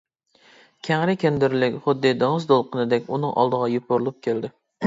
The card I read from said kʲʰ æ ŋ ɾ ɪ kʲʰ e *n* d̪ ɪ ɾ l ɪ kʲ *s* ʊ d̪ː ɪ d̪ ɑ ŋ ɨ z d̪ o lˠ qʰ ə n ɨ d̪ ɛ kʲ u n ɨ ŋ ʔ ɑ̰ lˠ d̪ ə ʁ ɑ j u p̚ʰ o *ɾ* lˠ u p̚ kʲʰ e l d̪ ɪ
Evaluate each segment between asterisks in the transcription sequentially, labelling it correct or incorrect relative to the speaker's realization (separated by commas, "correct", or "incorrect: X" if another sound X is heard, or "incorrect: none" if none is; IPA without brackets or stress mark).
correct, incorrect: χ, correct